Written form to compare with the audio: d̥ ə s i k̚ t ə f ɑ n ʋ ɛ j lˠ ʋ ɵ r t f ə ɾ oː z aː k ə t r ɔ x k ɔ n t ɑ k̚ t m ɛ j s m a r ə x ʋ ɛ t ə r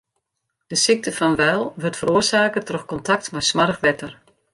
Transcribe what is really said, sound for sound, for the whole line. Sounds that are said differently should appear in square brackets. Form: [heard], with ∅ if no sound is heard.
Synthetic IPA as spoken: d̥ ə s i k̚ t ə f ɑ n ʋ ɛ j lˠ ʋ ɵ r t f ə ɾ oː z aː k ə t r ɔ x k ɔ n t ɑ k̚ t m ɛ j s m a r ə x ʋ ɛ t ə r